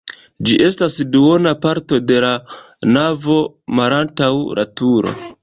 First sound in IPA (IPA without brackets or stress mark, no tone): d͡ʒ